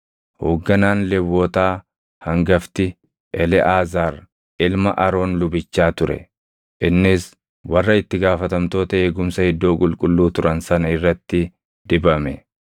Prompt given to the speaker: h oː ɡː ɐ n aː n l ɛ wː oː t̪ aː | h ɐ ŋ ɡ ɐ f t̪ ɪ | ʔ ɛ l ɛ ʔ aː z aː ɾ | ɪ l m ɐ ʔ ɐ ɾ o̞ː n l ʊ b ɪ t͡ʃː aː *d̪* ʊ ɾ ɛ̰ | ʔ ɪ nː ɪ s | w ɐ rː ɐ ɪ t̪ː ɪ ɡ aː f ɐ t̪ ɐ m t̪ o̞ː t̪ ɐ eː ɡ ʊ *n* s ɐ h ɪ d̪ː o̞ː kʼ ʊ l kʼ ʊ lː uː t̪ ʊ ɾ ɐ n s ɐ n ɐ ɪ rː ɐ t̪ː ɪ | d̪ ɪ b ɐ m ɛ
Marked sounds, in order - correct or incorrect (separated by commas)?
incorrect, incorrect